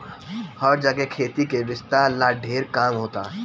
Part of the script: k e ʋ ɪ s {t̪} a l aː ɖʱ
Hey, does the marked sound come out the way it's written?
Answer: yes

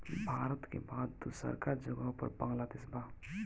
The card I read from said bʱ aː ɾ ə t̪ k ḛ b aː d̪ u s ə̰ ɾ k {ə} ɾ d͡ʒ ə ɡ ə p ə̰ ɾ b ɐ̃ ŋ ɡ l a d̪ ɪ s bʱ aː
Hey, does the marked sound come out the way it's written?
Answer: no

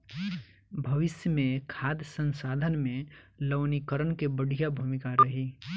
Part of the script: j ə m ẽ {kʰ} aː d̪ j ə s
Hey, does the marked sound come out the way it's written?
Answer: yes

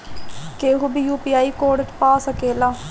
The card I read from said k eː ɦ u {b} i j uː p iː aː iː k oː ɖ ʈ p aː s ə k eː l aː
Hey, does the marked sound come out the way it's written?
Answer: yes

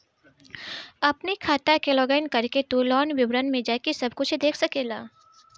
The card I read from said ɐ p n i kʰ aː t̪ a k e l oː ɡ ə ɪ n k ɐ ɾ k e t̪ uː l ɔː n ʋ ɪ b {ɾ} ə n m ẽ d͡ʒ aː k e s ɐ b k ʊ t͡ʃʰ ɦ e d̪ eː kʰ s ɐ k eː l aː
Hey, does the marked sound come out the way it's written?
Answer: yes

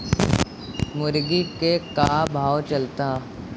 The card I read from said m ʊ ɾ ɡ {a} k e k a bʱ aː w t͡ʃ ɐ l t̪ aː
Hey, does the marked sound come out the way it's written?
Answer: no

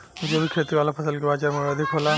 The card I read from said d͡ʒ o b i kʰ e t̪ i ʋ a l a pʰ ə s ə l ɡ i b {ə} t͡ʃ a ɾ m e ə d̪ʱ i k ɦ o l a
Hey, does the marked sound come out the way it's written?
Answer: no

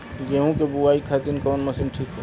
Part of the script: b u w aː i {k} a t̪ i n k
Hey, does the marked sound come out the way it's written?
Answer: no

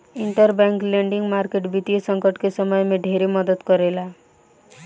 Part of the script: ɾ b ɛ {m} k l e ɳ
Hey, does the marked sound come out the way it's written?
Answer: no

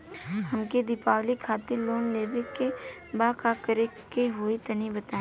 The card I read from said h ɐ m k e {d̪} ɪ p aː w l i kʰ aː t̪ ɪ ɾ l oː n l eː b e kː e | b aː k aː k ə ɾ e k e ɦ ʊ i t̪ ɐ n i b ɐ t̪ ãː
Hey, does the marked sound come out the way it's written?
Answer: yes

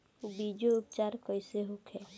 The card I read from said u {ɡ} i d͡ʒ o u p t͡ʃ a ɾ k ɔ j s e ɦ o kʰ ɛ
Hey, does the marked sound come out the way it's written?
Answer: no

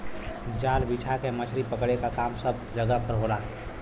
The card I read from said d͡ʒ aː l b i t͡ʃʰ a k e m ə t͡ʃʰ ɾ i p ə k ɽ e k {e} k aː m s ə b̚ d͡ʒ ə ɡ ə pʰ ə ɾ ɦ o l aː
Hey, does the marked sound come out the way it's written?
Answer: no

